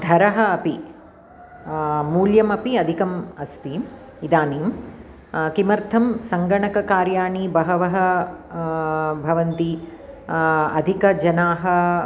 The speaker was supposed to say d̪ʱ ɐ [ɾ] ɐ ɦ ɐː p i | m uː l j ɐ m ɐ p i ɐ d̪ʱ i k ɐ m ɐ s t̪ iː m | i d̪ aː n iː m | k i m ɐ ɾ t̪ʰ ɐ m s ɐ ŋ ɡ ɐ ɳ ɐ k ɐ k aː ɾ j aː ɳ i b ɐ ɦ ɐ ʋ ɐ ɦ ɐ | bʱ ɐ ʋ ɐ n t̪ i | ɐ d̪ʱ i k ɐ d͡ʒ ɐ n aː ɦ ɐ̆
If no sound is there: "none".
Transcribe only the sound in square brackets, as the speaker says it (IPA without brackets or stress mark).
ɾ